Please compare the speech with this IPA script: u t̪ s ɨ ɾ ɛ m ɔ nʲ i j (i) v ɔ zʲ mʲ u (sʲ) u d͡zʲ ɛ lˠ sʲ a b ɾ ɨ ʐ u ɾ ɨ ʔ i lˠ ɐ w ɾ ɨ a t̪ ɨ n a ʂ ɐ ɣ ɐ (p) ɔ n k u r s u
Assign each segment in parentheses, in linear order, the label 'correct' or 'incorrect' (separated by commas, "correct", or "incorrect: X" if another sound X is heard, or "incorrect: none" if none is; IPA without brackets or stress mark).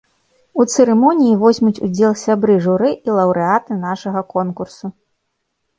correct, incorrect: t͡sʲ, incorrect: k